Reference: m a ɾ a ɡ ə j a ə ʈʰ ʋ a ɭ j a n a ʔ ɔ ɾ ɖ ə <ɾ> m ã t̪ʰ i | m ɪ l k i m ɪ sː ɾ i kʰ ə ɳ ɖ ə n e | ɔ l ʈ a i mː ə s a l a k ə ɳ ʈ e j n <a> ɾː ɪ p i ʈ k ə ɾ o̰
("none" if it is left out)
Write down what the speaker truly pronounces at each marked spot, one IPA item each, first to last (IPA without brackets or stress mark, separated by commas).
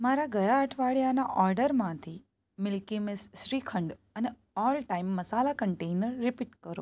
ɾ, ə